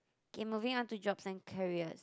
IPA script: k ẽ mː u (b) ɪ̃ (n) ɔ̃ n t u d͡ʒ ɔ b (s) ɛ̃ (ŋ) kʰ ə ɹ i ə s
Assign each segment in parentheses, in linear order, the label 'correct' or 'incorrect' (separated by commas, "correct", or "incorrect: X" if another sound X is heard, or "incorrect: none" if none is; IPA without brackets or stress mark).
incorrect: v, incorrect: ŋ, correct, incorrect: n